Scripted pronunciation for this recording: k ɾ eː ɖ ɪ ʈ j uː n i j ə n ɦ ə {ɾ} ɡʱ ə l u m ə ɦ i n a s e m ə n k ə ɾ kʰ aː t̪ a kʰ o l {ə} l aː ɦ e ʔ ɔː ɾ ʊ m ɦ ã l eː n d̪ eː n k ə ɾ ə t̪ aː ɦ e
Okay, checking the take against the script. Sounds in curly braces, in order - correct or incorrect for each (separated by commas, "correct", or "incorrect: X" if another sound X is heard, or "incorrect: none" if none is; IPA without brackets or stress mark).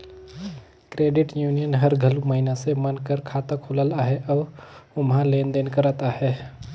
correct, correct